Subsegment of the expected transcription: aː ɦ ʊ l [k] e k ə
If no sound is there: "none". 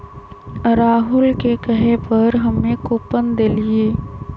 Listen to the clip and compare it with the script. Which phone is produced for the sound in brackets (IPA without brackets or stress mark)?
k